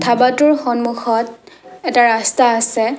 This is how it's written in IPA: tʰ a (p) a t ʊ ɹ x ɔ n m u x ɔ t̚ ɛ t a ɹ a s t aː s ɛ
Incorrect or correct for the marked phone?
incorrect: b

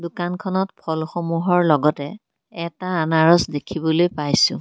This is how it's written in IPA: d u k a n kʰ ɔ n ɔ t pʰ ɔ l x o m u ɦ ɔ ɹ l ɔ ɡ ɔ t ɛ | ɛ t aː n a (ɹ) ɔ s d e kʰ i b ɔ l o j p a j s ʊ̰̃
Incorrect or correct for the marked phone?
correct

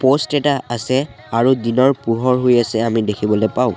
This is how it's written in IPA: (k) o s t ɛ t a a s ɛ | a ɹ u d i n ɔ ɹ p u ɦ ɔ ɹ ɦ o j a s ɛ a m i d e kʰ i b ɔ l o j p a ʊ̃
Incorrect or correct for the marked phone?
incorrect: p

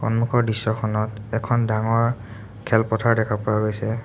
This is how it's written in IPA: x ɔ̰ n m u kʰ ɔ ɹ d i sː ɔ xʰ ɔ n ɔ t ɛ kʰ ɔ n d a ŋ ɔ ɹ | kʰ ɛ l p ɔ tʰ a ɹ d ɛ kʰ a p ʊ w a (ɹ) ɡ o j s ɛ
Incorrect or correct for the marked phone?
incorrect: none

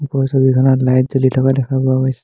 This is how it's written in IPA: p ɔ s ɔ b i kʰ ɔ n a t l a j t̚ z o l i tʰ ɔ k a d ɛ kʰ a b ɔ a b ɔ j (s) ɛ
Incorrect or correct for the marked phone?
correct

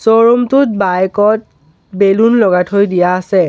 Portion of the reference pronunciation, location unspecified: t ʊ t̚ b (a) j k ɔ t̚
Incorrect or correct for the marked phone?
correct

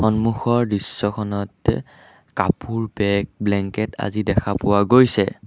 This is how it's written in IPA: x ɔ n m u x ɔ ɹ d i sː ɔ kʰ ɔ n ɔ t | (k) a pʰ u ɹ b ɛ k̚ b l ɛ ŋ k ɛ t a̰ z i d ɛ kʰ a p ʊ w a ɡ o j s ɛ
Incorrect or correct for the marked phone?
correct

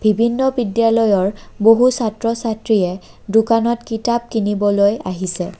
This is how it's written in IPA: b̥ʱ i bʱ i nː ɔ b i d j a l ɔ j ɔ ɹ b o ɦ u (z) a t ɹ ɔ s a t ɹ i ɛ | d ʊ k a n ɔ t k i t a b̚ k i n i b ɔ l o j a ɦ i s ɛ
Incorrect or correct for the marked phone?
incorrect: s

